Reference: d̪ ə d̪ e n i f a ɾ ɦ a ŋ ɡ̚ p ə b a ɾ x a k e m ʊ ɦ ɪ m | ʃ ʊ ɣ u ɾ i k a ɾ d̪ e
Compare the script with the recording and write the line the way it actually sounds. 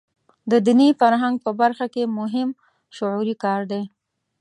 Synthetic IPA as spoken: d̪ ə d̪ i n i f a ɾ ɦ a ŋ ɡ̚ p ə b a ɾ x a k e m ʊ ɦ ɪ m | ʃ ʊ ʕ u ɾ i k ɑ ɾ d̪ e